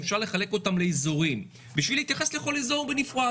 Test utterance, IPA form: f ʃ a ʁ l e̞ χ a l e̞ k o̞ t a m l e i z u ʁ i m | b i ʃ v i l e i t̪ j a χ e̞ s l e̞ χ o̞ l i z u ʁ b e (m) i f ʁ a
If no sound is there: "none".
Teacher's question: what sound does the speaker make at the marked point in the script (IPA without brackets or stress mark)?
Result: n